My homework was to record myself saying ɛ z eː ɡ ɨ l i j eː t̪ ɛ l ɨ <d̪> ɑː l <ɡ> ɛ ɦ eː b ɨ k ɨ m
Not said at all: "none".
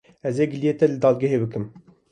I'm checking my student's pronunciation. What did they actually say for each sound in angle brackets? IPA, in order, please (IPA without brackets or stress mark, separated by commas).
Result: d̪, ɡ